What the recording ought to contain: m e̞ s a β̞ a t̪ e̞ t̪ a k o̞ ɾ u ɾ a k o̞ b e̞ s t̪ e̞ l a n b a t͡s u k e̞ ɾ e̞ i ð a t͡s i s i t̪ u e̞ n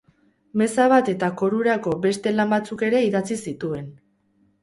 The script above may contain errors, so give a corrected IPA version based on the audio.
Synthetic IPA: m e̞ s a β̞ a t̪ e̞ t̪ a k o̞ ɾ u ɾ a k o̞ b e̞ s t̪ e̞ l a m b a t͡s u k e̞ ɾ e̞ i ð a t͡s i s i t̪ u e̞ n